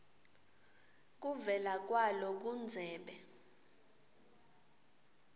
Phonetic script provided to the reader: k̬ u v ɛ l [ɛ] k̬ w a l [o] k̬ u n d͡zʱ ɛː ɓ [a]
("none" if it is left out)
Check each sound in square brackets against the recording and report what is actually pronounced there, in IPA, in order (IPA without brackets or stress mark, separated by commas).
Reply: a, ɔ, ɛ